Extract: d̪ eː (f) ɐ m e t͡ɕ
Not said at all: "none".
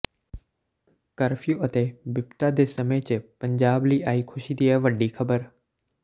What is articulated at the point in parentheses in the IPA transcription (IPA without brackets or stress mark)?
s